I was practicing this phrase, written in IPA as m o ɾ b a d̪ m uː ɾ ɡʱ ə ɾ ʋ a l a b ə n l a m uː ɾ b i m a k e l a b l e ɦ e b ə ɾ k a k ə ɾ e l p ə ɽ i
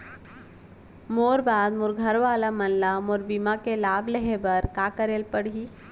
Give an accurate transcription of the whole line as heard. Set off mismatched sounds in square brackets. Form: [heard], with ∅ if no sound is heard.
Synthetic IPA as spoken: m o ɾ b a d̪ m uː ɾ ɡʱ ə ɾ ʋ a l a [m] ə n l a m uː ɾ b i m a k e l a b l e ɦ e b ə ɾ k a k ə ɾ e l p ə ɽ i